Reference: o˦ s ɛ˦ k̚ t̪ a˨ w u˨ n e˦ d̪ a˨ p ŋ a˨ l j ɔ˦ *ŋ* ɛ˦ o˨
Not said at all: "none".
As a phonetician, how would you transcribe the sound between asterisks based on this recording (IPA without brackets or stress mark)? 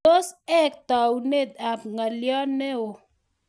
n